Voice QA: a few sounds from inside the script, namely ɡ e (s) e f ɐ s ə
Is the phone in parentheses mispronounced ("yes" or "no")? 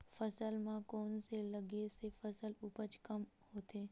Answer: no